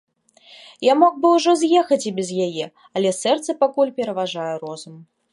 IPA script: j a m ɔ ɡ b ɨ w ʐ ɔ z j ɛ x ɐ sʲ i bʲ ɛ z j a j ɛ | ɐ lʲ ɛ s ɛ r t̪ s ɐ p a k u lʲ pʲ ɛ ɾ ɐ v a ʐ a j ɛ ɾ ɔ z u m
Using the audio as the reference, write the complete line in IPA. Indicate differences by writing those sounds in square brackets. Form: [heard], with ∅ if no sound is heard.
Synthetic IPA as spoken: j a m ɔ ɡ b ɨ w ʐ ɔ z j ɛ x ɐ [t͡sʲ] i bʲ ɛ z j a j ɛ | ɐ lʲ ɛ s ɛ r t̪ s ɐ p a k u lʲ pʲ ɛ ɾ ɐ v a ʐ a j ɛ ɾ ɔ z u m

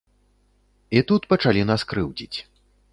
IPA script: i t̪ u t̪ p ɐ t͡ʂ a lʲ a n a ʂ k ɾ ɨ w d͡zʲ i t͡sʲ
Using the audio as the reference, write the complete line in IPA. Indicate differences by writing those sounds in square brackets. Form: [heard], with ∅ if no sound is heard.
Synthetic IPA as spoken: i t̪ u t̪ p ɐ t͡ʂ a lʲ [i] n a [s] k ɾ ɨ w d͡zʲ i t͡sʲ

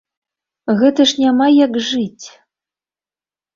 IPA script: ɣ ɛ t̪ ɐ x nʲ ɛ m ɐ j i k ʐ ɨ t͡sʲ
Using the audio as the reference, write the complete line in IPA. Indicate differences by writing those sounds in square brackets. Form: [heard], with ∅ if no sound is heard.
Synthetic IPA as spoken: ɣ ɛ t̪ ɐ [ʂ] nʲ [a] m [a] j [a] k ʐ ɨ t͡sʲ

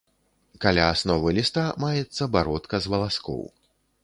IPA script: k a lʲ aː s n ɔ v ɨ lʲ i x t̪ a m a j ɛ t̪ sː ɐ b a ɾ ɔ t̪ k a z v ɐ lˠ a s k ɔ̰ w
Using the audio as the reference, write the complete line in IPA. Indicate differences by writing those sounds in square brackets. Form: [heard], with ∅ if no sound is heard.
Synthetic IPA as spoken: k a lʲ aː s n ɔ v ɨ lʲ i [s] t̪ a m a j ɛ t̪ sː ɐ b a ɾ ɔ t̪ k [ɐ] z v ɐ lˠ a s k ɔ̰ w

